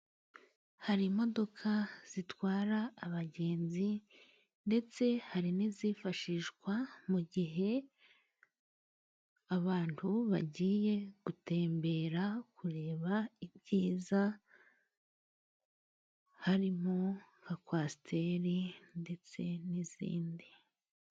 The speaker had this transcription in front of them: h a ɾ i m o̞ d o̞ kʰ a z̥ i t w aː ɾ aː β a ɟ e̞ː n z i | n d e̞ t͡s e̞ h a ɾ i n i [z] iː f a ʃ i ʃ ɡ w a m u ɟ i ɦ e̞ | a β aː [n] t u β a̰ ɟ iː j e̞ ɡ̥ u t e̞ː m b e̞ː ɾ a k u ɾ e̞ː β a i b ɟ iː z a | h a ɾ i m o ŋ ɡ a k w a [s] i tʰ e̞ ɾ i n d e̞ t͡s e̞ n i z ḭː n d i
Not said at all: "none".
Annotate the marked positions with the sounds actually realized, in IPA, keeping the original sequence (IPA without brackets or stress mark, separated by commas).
z, n, s